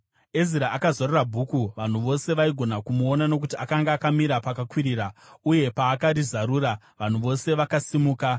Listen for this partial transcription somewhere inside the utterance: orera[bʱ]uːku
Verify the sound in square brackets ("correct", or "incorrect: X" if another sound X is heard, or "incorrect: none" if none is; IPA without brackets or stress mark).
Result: correct